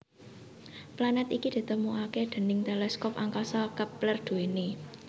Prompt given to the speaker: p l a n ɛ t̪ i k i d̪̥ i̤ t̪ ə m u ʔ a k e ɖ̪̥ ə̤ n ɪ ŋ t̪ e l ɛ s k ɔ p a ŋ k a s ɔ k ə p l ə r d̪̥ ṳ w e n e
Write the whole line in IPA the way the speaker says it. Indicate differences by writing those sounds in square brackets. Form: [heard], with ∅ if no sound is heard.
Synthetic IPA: p l a n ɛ t̪ i k i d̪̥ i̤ t̪ ə m u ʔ a k e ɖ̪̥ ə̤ n ɪ ŋ t̪ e l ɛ s k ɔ p a ŋ k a s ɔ k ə p l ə r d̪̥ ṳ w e n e